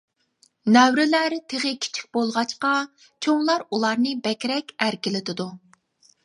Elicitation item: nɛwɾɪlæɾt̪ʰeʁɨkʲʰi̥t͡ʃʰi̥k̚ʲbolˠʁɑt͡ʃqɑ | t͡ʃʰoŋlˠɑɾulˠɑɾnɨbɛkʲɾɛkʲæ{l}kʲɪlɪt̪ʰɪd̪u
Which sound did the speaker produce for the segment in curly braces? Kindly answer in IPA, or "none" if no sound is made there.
ɾ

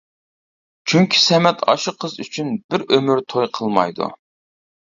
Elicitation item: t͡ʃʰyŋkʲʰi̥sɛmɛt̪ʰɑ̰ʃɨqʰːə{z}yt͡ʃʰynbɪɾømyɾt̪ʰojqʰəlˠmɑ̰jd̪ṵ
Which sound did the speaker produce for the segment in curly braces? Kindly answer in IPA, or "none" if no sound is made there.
z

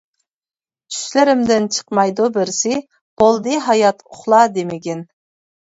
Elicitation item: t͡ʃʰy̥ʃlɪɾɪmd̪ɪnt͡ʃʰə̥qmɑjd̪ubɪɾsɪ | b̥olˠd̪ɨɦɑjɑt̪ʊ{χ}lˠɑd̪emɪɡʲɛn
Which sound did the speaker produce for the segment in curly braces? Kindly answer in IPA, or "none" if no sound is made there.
χ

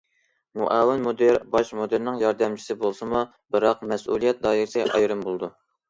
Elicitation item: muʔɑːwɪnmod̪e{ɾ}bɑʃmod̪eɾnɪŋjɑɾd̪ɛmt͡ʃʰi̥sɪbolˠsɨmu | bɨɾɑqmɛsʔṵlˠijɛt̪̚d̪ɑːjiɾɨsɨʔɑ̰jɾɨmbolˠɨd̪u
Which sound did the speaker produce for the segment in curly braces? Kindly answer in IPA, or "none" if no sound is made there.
ɾ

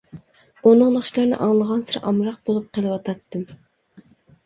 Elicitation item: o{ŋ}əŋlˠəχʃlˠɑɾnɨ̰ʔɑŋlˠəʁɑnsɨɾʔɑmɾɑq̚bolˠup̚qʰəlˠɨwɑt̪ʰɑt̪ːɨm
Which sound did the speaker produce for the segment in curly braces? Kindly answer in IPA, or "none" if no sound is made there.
n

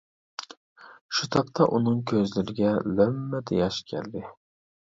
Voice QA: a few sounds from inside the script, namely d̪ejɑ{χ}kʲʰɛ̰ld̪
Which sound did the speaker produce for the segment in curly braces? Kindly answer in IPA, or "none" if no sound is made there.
ʃ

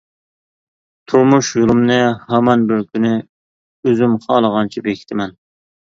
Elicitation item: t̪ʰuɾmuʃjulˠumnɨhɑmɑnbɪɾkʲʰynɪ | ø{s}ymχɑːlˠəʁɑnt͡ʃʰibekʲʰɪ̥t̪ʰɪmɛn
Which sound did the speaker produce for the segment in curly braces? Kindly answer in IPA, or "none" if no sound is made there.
z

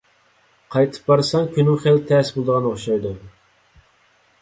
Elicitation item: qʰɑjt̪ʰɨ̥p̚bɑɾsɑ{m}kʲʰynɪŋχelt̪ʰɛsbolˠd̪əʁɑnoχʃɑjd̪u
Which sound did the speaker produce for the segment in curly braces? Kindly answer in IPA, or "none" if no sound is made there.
ŋ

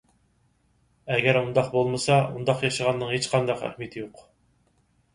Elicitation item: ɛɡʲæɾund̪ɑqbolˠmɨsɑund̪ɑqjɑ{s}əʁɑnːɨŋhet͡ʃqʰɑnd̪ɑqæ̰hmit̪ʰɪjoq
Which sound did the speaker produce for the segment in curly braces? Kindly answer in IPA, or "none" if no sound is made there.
ʃ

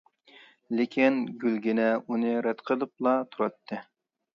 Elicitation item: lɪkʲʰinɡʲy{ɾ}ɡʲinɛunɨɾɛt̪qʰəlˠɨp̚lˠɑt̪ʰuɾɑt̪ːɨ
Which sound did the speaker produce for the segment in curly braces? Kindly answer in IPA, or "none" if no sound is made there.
l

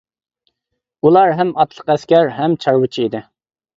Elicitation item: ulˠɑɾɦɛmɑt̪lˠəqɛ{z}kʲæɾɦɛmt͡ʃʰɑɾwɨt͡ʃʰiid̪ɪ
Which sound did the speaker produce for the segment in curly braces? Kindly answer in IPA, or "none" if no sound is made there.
s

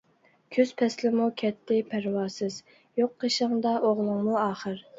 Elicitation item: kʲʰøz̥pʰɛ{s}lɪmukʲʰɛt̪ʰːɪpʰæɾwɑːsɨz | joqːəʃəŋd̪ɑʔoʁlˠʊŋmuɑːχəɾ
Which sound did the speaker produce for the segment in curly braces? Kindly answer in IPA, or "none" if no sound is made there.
s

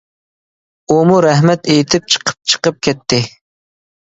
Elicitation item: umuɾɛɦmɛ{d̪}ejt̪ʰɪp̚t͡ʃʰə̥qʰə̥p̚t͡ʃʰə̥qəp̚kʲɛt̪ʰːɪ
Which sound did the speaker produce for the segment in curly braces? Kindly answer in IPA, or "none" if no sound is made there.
t̪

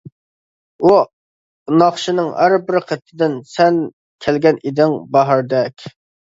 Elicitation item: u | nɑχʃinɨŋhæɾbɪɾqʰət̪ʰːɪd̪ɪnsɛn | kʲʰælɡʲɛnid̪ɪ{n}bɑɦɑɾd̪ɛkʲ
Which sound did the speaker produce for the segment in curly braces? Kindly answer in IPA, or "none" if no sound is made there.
ŋ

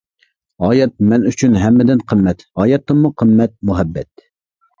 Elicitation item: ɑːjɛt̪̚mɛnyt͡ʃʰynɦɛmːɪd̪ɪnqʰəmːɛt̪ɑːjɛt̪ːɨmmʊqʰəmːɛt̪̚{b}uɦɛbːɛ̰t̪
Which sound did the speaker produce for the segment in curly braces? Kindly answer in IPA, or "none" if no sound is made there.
m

